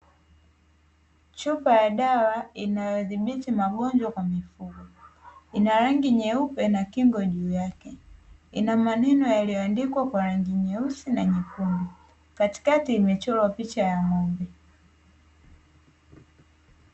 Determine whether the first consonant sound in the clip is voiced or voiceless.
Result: voiceless